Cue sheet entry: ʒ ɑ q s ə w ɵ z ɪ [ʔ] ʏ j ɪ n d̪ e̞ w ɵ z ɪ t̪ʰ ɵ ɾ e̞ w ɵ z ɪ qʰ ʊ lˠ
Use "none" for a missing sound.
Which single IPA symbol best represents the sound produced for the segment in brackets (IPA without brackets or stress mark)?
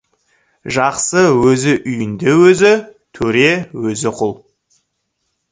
ʔ